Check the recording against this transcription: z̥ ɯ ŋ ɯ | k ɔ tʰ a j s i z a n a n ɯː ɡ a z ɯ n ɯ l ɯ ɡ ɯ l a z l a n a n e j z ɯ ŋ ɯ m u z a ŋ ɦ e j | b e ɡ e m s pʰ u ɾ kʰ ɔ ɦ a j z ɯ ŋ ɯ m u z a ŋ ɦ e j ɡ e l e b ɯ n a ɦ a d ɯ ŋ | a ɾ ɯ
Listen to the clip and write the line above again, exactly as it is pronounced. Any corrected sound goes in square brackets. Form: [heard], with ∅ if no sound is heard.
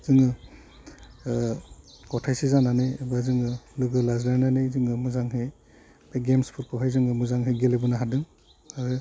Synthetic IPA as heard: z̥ ɯ ŋ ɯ | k ɔ tʰ a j s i z a n a n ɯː [b] a z ɯ [ŋ] ɯ l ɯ ɡ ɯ l a z l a n a n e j z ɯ ŋ ɯ m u z a ŋ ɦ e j | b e ɡ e m s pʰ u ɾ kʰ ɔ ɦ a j z ɯ ŋ ɯ m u z a ŋ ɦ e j ɡ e l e b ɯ n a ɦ a d ɯ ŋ | a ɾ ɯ

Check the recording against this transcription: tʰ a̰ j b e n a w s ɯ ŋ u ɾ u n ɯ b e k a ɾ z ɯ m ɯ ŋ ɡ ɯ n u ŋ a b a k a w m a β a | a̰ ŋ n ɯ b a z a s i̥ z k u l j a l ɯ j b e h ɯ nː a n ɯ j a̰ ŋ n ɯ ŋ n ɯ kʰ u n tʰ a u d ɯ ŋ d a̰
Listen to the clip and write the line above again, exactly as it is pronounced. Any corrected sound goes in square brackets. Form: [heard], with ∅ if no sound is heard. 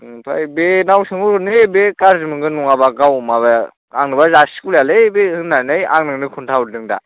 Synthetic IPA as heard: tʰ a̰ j b e n a w s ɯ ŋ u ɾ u n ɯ b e k a ɾ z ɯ m ɯ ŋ ɡ ɯ n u ŋ a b a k a w m a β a | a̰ ŋ n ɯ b a z a s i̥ [∅] k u l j a l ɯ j b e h ɯ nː a n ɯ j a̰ ŋ n ɯ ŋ n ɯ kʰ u n tʰ a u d ɯ ŋ d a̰

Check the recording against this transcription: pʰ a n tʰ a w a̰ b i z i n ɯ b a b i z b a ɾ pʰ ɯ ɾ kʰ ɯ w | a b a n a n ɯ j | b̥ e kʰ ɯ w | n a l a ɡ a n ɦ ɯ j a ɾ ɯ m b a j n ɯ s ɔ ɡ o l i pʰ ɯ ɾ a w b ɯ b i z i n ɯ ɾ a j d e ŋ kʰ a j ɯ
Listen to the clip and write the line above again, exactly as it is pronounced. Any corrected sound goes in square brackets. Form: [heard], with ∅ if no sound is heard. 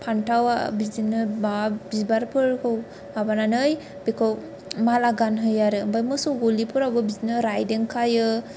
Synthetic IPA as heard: pʰ a n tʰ a w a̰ b i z i n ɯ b a b i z b a ɾ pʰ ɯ ɾ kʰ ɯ w | a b a n a n ɯ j | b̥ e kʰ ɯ w | [m] a l a ɡ a n ɦ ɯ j a ɾ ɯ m b a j [m] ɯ s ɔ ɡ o l i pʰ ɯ ɾ a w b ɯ b i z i n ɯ ɾ a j d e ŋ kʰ a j ɯ

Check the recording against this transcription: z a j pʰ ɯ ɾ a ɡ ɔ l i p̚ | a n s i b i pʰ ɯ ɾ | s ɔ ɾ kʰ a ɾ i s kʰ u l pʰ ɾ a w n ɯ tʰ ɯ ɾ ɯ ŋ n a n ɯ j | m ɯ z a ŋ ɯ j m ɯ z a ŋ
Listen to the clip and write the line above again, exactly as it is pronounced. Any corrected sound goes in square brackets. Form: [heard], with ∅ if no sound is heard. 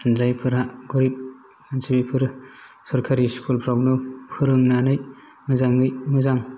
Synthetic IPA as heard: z a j pʰ ɯ ɾ a ɡ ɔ [ɾ] i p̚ | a n s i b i pʰ ɯ ɾ | s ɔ ɾ kʰ a ɾ i s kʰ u l pʰ ɾ a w n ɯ [pʰ] ɯ ɾ ɯ ŋ n a n ɯ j | m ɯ z a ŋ ɯ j m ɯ z a ŋ

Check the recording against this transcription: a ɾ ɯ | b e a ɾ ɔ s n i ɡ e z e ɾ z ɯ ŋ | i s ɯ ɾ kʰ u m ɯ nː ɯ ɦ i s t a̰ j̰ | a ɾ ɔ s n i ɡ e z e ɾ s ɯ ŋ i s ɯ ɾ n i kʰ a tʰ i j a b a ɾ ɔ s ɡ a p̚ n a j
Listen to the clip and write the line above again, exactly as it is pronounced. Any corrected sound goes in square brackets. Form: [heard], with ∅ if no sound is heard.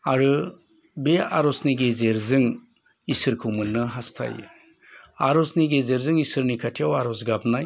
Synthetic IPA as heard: a ɾ ɯ | b e a ɾ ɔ s n i ɡ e z e ɾ z ɯ ŋ | i s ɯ ɾ kʰ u m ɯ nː ɯ ɦ [a] s [tʰ] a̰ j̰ | a ɾ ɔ s n i ɡ e z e ɾ [z] ɯ ŋ i s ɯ ɾ n i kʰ a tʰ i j a [w] a ɾ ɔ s ɡ a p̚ n a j

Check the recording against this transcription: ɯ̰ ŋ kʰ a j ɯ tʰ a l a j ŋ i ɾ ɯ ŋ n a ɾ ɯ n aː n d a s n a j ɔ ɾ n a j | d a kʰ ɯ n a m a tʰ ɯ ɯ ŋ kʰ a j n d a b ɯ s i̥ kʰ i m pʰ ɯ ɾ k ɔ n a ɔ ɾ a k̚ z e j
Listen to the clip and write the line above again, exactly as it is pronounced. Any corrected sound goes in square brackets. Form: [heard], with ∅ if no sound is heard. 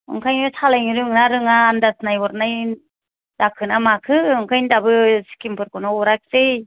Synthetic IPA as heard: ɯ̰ ŋ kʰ a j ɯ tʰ a l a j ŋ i ɾ ɯ ŋ n a ɾ ɯ [ŋ] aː n d a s n a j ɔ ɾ n a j | d a kʰ ɯ n a m a [kʰ] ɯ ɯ ŋ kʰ a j n d a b ɯ s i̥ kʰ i m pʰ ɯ ɾ k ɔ n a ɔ ɾ a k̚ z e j

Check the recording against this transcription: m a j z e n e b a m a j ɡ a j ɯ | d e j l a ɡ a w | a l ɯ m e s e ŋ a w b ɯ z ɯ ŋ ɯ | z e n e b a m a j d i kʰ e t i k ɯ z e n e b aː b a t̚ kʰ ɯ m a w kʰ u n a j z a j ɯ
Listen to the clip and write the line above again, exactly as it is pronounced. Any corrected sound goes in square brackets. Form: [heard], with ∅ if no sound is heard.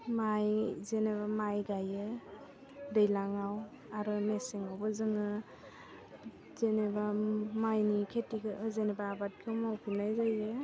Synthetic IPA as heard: m a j z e n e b a m a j ɡ a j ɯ | d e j l a [ŋ] a w | a [ɾ] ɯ m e s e ŋ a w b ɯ z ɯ ŋ ɯ | z e n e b a m a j [n] i kʰ e t i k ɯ z e n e b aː b a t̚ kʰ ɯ m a w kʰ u n a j z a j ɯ

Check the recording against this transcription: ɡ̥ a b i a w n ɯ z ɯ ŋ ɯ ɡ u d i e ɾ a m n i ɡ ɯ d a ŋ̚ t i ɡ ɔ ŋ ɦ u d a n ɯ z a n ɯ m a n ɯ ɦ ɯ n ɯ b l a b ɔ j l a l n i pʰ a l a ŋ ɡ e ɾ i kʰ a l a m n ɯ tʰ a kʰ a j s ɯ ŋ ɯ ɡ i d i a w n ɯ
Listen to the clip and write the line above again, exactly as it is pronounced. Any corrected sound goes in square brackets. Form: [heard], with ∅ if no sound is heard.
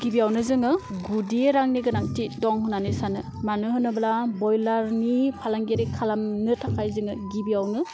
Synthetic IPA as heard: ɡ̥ [i] b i a w n ɯ z ɯ ŋ ɯ ɡ u d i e ɾ a [ŋ] n i ɡ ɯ [n] a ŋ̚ t i [d] ɔ ŋ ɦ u [n] a n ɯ [s] a n ɯ m a n ɯ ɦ ɯ n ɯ b l a b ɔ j l a [ɾ] n i pʰ a l a ŋ ɡ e ɾ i kʰ a l a m n ɯ tʰ a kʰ a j [z] ɯ ŋ ɯ ɡ i [b] i a w n ɯ

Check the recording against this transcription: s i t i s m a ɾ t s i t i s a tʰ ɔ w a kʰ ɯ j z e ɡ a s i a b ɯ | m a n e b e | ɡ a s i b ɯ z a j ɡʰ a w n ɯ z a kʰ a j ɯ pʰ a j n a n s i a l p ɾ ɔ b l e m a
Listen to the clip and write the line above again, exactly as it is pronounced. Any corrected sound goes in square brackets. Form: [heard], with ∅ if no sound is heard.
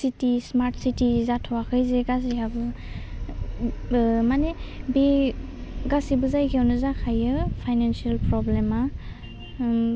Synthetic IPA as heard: s i t i s m a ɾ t s i t i [z] a tʰ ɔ w a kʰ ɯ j z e ɡ a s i a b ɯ | m a n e b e | ɡ a s i b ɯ z a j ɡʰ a w n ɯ z a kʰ a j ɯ pʰ a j n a n s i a l p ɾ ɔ b l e m a

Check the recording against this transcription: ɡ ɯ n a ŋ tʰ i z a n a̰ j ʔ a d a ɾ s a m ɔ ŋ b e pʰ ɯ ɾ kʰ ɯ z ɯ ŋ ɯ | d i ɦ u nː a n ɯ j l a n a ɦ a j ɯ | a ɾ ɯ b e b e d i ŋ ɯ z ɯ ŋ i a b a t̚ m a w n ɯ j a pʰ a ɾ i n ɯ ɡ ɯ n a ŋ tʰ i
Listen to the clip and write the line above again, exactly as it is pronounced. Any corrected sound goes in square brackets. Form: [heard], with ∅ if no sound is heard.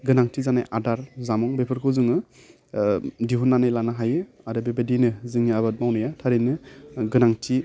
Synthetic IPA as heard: ɡ ɯ n a ŋ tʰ i z a n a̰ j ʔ a d a ɾ [z] a m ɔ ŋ b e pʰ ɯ ɾ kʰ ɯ z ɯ ŋ ɯ | d i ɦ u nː a n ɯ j l a n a ɦ a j ɯ | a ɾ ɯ b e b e d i [n] ɯ z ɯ ŋ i a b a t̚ m a w n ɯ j a [tʰ] a ɾ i n ɯ ɡ ɯ n a ŋ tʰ i

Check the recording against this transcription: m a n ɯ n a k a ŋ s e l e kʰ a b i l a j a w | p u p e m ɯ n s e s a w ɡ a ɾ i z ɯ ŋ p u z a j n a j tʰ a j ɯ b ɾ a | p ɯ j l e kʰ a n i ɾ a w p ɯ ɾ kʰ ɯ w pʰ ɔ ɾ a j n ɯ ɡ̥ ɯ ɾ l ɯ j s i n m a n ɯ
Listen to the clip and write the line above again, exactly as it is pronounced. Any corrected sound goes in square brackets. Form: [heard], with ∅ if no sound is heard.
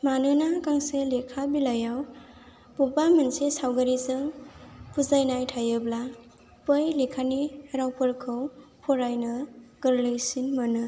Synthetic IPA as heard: m a n ɯ n a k a ŋ s e l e kʰ a b i l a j a w | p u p [a] m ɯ n s e s a w ɡ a ɾ i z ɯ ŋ p u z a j n a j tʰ a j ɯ b [l] a | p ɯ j l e kʰ a n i ɾ a w p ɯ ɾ kʰ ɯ w pʰ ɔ ɾ a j n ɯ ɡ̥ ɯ ɾ l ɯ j s i n m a n ɯ

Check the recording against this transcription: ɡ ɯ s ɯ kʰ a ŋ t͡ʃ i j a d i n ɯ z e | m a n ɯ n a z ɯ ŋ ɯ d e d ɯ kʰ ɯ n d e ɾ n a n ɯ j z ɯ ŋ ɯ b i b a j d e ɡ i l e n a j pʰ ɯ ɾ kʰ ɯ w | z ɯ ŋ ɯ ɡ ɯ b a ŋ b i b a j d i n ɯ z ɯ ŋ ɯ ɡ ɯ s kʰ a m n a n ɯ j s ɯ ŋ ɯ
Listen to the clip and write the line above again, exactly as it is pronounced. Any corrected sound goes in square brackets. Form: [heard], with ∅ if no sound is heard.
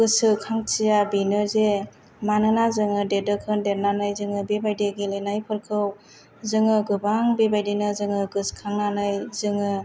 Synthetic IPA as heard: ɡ ɯ s ɯ kʰ a ŋ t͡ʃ i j a [b] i n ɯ z e | m a n ɯ n a z ɯ ŋ ɯ d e d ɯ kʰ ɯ n d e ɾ n a n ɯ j z ɯ ŋ ɯ b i b a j d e ɡ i l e n a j pʰ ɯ ɾ kʰ ɯ w | z ɯ ŋ ɯ ɡ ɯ b a ŋ b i b a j d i n ɯ z ɯ ŋ ɯ ɡ ɯ s kʰ a [ŋ] n a n ɯ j [z] ɯ ŋ ɯ

